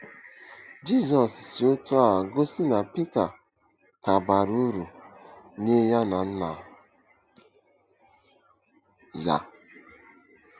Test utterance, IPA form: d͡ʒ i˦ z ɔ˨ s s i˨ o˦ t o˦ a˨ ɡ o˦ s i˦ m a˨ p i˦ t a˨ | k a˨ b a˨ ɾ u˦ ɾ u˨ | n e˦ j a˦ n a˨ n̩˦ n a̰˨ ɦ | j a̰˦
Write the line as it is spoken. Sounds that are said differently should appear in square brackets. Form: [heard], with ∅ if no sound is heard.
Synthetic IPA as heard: d͡ʒ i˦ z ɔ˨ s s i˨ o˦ t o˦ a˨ ɡ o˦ s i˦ [n] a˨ p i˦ t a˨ | k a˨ b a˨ ɾ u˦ ɾ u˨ | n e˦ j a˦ n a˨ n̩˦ n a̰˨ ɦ | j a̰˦

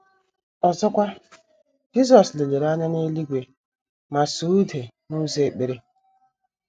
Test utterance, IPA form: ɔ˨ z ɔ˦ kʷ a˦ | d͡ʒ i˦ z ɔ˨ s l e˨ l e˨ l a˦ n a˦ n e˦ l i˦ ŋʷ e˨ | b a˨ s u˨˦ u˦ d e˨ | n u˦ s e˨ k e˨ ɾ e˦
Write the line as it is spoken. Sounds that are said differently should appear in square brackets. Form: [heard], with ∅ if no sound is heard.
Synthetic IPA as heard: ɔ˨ z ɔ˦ kʷ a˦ | d͡ʒ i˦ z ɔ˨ s l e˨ l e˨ [ɾ] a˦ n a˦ n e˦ l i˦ [ɡʷ] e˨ | [m] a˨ s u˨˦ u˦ d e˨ | n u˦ [z] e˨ [k͡p] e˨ ɾ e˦

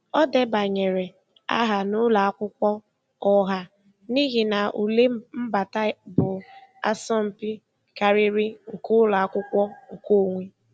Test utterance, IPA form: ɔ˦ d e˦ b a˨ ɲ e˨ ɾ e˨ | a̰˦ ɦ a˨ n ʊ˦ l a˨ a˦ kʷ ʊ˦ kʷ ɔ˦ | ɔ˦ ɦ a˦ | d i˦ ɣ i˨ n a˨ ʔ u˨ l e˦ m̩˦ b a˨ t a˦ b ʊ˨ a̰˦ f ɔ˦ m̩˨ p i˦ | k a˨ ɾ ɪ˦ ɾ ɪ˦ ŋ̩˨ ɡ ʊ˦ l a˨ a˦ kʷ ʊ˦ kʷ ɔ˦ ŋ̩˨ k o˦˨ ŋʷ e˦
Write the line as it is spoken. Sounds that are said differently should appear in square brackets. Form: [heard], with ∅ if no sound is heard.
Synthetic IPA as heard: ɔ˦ d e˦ b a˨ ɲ e˨ ɾ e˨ | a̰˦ ɦ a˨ n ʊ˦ l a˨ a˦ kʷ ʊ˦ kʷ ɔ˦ | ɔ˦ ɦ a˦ | [n] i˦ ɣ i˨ n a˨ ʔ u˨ l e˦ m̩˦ b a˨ t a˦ b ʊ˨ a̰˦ [s] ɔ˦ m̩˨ p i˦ | k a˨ ɾ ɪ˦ ɾ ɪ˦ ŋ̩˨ [k] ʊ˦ l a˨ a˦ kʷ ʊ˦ kʷ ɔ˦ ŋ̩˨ k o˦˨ ŋʷ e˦

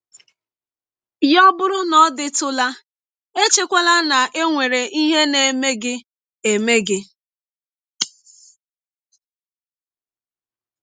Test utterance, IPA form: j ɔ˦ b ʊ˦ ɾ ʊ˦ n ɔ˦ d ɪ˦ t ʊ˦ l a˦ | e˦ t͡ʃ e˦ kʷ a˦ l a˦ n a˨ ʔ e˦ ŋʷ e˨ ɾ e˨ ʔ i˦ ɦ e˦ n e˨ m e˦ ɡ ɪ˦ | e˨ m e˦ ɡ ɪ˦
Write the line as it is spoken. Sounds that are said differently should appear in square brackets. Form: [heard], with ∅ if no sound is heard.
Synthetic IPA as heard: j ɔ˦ b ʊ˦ ɾ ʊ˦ n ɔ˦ d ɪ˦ t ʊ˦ l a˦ | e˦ t͡ʃ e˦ kʷ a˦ l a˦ n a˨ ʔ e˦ ŋʷ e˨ ɾ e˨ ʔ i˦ ɦ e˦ n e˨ m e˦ ɡ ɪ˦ | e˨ m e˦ ɡ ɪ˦

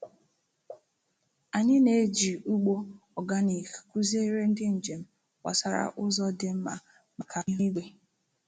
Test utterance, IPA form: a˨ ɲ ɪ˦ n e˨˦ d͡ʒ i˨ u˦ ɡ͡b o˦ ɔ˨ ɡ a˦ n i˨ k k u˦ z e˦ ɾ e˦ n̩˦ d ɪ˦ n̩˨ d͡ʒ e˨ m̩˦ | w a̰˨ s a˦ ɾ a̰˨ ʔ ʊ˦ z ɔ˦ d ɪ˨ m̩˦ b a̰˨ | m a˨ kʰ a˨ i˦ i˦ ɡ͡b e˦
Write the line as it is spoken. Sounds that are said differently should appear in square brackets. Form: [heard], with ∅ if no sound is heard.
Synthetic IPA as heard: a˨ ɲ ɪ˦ n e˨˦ d͡ʒ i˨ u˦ ɡ͡b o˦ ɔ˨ ɡ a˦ n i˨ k k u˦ z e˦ ɾ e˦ n̩˦ d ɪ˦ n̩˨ d͡ʒ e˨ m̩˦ | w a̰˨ s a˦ ɾ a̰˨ ʔ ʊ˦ z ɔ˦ d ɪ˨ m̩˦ [m] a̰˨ | m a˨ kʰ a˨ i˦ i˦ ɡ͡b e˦

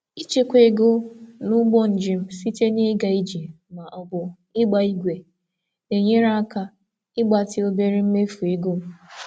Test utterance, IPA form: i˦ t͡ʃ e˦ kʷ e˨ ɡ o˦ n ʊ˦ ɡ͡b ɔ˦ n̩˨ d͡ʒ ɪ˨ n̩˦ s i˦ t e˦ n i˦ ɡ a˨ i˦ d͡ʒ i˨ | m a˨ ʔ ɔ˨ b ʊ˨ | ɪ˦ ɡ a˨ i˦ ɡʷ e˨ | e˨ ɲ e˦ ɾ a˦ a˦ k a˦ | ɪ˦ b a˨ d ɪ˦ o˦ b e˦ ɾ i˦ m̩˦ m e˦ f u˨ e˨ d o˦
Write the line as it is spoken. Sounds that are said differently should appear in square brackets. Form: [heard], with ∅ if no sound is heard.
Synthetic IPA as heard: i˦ t͡ʃ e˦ kʷ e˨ ɡ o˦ n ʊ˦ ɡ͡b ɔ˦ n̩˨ d͡ʒ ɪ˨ [m̩˦] s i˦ t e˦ n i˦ ɡ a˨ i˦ d͡ʒ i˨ | m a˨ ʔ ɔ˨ b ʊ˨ | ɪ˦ [ɡ͡b] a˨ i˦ ɡʷ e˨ | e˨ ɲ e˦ ɾ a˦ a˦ k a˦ | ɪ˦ [ɡ͡b] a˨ [t] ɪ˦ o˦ b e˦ ɾ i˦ m̩˦ m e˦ f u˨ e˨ [ɡ] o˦

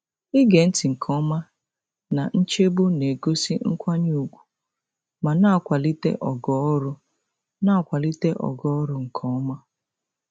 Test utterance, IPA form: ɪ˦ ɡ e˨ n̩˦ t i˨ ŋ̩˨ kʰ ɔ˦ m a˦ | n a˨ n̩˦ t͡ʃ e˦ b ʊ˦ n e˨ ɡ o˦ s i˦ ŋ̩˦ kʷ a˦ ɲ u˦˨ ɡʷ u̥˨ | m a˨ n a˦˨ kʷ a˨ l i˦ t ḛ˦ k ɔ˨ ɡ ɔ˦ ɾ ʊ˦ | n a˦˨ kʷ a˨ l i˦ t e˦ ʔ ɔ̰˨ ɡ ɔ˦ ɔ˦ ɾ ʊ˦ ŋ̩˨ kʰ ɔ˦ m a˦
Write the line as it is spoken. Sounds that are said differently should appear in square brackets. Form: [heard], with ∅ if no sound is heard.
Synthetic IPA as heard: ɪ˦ ɡ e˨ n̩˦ t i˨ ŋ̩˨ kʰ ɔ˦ m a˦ | n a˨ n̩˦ t͡ʃ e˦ b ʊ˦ n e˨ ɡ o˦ s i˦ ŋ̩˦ kʷ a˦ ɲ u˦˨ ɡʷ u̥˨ | m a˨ n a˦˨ kʷ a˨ l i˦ t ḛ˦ [ʔ] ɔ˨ ɡ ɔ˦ ɾ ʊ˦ | n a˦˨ kʷ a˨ l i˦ t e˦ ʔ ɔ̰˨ ɡ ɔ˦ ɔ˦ ɾ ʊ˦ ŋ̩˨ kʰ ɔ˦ m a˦

